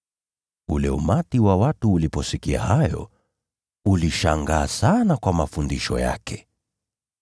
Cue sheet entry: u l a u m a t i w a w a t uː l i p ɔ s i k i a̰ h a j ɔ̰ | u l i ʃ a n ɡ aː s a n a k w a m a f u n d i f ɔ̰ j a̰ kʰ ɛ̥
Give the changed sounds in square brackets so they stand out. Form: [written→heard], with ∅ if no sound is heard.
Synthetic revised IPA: u l [a→ɛ] u m a t i w a w a t uː l i p ɔ s i k i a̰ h a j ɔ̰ | u l i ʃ a [n→ŋ] ɡ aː s a n a k w a m a f u n d i [f→ʃ] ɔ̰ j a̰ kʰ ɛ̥